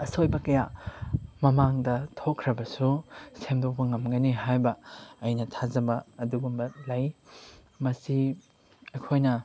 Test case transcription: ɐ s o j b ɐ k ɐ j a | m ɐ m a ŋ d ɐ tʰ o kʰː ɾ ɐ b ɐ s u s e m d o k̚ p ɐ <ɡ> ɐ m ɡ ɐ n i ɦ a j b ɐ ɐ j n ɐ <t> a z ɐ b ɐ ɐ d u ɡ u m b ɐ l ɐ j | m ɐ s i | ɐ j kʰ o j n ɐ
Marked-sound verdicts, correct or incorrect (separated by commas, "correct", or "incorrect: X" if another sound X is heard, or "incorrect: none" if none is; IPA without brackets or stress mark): incorrect: ŋ, incorrect: tʰ